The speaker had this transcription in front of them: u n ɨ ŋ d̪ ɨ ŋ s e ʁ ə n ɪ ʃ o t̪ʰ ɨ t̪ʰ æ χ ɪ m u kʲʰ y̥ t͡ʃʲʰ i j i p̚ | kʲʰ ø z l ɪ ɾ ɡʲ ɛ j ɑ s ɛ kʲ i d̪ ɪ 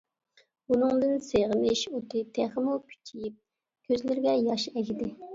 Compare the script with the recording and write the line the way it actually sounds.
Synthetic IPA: u n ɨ ŋ d̪ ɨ n s e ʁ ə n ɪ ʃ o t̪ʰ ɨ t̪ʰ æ χ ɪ m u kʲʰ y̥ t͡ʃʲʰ i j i p̚ | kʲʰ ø z l ɪ ɾ ɡʲ ɛ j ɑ ʃ ɛ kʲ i d̪ ɪ